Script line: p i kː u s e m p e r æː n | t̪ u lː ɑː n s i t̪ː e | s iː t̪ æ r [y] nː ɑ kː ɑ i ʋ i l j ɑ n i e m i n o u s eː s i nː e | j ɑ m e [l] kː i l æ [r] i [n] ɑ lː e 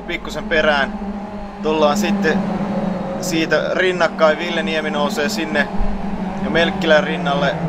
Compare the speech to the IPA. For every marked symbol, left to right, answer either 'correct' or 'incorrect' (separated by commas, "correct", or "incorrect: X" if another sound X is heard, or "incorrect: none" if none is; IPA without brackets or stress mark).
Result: incorrect: i, correct, correct, incorrect: nː